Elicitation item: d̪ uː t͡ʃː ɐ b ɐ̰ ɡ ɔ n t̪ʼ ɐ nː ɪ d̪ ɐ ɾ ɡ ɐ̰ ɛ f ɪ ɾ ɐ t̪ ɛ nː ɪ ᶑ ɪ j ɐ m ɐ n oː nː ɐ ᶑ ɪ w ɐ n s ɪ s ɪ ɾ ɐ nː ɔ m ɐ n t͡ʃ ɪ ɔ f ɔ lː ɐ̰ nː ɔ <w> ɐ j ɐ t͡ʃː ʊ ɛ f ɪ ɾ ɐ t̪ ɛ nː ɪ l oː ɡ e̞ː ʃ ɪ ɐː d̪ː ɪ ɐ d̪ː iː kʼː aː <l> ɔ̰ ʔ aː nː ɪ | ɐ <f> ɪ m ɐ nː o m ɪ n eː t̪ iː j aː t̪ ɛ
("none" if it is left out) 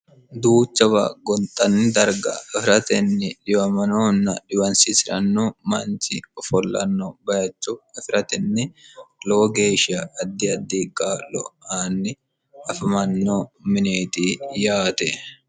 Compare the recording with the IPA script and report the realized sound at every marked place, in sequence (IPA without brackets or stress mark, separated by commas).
b, l, f